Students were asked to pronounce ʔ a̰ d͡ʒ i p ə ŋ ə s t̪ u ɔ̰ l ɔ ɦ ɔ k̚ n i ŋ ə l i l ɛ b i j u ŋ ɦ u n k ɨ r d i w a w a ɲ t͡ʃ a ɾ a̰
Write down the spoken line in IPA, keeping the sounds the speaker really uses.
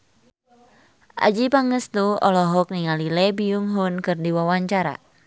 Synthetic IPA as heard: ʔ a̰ d͡ʒ i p a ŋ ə s t̪ u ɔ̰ l ɔ ɦ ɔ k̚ n i ŋ a l i l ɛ b i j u ŋ ɦ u n k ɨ r d i w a w a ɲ t͡ʃ a ɾ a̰